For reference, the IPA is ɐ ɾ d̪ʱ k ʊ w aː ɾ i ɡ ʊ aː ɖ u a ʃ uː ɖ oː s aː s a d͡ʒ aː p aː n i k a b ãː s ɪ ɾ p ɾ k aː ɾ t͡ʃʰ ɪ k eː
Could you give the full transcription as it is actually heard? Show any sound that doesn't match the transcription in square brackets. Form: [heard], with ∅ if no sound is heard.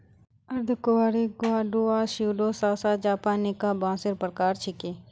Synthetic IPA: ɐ ɾ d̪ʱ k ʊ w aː ɾ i ɡ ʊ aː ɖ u a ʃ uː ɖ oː s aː s a d͡ʒ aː p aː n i k a b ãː s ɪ ɾ p ɾ k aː ɾ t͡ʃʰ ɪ k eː